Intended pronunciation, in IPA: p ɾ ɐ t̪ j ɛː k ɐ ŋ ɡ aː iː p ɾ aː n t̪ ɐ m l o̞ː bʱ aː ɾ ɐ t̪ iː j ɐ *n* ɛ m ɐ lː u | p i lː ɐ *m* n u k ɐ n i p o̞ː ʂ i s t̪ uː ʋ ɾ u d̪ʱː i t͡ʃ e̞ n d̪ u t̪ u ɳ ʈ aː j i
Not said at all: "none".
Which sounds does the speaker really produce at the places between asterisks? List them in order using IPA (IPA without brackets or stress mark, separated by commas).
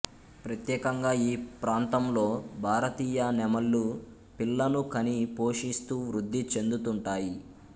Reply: n, none